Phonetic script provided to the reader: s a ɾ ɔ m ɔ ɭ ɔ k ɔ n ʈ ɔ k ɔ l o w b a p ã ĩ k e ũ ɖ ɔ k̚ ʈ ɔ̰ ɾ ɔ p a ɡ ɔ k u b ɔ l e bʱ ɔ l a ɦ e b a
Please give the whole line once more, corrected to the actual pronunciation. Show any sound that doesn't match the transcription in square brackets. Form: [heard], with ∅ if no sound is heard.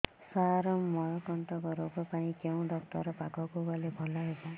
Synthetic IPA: s a ɾ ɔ m ɔ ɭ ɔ k ɔ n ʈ ɔ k ɔ [ɾ] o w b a p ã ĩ k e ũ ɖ ɔ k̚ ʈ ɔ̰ ɾ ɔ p a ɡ ɔ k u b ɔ l e bʱ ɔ l a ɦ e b a